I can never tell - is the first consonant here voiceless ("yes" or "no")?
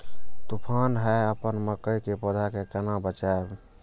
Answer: yes